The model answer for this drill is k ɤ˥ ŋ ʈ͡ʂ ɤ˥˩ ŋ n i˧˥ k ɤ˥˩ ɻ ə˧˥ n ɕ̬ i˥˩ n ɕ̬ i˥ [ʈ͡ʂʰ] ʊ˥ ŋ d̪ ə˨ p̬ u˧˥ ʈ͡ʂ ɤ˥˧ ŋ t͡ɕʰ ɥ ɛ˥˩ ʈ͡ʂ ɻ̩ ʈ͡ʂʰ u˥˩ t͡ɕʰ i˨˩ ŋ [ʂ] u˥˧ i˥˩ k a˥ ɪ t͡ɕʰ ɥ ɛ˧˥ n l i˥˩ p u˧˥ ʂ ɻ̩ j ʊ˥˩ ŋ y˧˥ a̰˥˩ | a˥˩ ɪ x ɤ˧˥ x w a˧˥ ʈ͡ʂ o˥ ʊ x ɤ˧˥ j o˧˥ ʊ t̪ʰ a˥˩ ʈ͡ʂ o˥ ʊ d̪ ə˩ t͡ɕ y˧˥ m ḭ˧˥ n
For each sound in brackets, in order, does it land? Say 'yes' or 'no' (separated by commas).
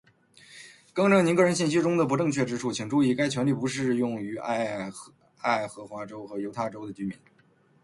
no, no